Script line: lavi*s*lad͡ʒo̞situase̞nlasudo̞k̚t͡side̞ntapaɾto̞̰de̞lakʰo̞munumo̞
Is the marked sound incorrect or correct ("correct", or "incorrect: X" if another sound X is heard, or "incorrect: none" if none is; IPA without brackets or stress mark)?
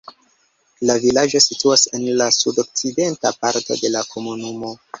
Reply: incorrect: none